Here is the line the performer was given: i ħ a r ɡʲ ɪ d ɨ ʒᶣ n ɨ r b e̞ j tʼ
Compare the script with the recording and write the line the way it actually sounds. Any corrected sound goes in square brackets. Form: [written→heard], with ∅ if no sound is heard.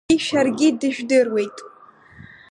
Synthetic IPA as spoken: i [ħ→ʃ] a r ɡʲ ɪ d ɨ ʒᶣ [n→d] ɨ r [b→w] e̞ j tʼ